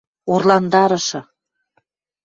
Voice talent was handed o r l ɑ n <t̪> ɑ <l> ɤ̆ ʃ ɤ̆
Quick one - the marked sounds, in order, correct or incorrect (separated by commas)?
incorrect, incorrect